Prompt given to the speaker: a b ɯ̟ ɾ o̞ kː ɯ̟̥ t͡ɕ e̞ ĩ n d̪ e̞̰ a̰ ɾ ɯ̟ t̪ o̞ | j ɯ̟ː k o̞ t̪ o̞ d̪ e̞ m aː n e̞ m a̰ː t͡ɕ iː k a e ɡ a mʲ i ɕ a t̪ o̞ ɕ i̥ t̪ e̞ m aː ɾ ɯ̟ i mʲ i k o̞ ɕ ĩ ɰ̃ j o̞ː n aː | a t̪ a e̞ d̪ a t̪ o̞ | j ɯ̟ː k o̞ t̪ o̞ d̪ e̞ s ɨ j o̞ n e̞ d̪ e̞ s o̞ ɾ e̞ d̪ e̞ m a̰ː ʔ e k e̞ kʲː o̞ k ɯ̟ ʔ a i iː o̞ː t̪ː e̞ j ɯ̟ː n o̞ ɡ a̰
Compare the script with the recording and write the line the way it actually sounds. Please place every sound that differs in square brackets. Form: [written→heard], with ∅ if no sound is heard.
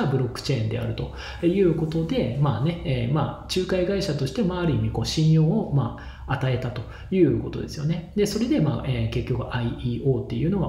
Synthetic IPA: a b ɯ̟ ɾ o̞ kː ɯ̟̥ t͡ɕ e̞ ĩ n d̪ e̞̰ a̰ ɾ ɯ̟ t̪ o̞ | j ɯ̟ː k o̞ t̪ o̞ d̪ e̞ m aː n e̞ m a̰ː t͡ɕ [iː→ɨː] k a [e→i] ɡ a [mʲ→∅] i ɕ a t̪ o̞ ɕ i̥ t̪ e̞ m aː ɾ ɯ̟ i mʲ i k o̞ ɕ ĩ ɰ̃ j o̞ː [n→m] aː | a t̪ a e̞ [d̪→t̪] a t̪ o̞ | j ɯ̟ː k o̞ t̪ o̞ d̪ e̞ s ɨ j o̞ n e̞ d̪ e̞ s o̞ ɾ e̞ d̪ e̞ m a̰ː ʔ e k e̞ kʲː o̞ k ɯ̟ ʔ a i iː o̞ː t̪ː e̞ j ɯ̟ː n o̞ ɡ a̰